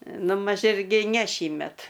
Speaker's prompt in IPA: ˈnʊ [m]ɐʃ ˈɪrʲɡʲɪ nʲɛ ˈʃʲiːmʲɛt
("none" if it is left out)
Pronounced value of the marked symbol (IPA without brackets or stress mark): m